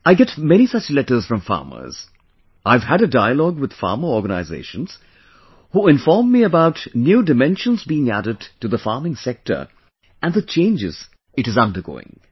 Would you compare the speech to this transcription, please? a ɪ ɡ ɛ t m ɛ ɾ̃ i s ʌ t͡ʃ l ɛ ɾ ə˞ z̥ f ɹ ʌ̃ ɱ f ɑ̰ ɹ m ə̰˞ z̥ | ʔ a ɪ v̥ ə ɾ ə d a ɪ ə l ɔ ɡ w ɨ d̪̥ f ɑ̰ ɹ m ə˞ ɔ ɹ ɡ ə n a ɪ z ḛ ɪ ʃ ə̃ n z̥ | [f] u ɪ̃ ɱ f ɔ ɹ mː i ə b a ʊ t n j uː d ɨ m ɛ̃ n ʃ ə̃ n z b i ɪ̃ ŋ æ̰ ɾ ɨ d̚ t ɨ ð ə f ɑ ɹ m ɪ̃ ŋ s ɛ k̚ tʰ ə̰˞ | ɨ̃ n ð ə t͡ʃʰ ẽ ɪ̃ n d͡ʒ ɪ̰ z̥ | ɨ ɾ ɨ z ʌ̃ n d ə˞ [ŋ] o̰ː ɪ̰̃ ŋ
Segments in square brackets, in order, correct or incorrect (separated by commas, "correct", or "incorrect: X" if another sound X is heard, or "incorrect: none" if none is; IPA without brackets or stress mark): incorrect: h, incorrect: ɡ